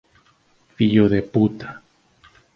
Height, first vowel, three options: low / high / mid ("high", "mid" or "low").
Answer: high